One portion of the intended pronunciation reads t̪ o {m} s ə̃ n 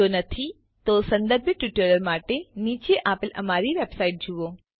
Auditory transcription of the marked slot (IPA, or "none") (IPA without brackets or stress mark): none